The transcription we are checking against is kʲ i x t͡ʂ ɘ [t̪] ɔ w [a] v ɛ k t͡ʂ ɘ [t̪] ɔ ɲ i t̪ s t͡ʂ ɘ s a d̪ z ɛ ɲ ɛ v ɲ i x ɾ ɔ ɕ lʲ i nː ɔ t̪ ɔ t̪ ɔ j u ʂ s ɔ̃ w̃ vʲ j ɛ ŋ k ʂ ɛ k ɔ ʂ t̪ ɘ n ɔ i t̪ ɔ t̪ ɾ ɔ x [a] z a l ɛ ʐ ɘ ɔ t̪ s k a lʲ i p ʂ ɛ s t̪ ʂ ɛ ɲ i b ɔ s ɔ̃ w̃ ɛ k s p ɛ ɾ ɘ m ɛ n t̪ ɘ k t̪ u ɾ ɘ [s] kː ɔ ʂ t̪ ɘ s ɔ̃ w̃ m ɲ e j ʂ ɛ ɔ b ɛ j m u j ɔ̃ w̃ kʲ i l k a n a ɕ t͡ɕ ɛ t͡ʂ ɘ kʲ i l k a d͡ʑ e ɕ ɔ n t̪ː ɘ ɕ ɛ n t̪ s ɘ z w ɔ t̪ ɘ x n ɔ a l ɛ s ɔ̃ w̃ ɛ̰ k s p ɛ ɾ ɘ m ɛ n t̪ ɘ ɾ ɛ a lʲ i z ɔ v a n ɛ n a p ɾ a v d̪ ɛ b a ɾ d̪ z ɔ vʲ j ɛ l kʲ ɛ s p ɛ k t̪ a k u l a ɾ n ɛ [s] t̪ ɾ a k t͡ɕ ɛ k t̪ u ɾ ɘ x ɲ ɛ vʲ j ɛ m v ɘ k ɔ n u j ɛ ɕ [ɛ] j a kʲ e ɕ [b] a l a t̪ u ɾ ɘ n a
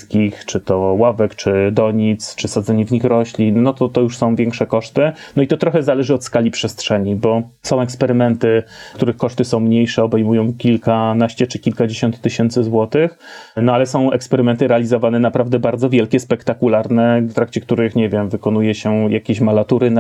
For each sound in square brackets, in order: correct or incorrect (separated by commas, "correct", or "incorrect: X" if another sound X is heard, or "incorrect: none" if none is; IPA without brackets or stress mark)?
correct, correct, incorrect: d̪, incorrect: ɛ, incorrect: x, incorrect: f, correct, incorrect: m